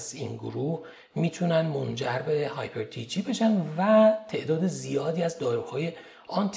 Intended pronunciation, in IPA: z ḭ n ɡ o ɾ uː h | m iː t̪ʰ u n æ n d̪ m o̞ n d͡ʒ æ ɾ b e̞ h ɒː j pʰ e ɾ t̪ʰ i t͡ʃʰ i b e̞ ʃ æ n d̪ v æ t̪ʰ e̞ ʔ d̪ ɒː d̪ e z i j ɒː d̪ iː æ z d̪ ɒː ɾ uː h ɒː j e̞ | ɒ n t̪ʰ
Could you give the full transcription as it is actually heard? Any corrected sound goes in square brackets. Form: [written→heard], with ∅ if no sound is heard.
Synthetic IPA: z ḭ n ɡ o ɾ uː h | m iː t̪ʰ u n æ n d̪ m o̞ n d͡ʒ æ ɾ b e̞ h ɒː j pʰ e ɾ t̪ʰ i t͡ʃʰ i b e̞ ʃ æ n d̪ v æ t̪ʰ e̞ ʔ d̪ ɒː d̪ e z i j ɒː d̪ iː æ z d̪ ɒː ɾ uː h ɒː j e̞ | ɒ n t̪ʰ